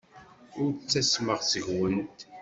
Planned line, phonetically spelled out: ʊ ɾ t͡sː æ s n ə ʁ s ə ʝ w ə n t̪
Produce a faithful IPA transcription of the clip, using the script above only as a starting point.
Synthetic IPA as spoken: ʊ ɾ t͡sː æ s m ə ʁ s ə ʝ w ə n t̪

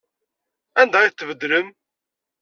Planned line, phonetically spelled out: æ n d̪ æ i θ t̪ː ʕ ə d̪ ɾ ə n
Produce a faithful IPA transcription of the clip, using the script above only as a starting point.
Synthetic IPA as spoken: æ n d̪ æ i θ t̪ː v ə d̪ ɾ ə m

